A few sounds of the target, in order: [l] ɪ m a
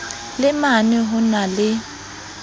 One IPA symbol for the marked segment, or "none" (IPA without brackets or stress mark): l